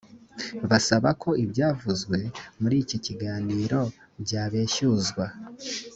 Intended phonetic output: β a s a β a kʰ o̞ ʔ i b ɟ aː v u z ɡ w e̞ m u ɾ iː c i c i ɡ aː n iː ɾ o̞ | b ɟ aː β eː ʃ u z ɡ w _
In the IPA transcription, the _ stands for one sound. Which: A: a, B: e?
A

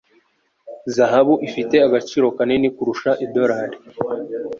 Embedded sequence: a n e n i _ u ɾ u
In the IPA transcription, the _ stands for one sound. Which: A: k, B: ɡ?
A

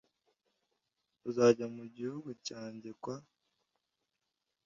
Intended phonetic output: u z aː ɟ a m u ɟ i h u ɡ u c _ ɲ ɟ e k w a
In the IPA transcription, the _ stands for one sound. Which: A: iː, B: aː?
B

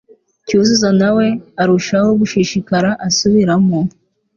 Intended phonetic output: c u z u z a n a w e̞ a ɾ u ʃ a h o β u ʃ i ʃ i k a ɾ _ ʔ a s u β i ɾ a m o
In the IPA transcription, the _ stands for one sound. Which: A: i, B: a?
B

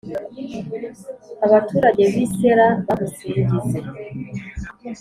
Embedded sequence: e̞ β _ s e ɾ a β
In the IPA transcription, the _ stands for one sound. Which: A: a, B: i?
B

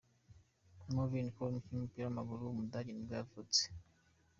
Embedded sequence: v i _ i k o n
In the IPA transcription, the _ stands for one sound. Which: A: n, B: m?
A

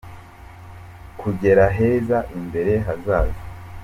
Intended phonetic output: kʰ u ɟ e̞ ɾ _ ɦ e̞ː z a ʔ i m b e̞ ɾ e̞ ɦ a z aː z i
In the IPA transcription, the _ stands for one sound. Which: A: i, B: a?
B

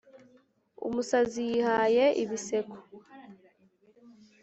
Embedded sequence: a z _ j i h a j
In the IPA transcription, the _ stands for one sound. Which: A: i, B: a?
A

